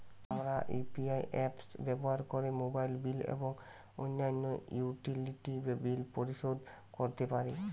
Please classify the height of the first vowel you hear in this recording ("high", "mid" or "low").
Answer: low